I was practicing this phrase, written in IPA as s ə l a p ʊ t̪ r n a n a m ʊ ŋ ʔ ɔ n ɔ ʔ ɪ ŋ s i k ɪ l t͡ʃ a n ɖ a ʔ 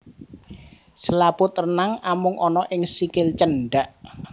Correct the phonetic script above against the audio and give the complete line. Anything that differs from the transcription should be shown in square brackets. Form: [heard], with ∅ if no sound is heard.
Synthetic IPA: s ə l a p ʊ t̪ r n a [ŋ] a m ʊ ŋ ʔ ɔ n ɔ ʔ ɪ ŋ s i k ɪ l t͡ʃ [ə] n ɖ a ʔ